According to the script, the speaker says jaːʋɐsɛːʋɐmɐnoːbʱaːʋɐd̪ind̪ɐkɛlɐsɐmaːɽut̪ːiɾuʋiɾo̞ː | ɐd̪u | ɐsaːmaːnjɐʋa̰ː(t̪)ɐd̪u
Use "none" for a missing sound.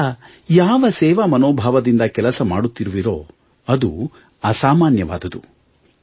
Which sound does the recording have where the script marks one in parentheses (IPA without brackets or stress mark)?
d̪